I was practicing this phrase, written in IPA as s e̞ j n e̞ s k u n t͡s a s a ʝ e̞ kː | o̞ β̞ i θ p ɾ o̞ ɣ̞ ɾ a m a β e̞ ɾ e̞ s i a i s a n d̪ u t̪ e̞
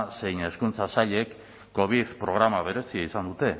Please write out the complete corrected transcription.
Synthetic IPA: s e̞ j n e̞ s k u n t͡s a s a ʎ e̞ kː | o̞ β̞ i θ p ɾ o̞ ɣ̞ ɾ a m a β e̞ ɾ e̞ s i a i s a n d̪ u t̪ e̞